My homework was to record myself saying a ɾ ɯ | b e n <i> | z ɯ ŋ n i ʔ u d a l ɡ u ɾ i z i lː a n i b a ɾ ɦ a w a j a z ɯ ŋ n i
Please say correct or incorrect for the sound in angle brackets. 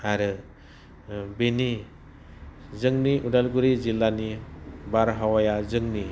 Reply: correct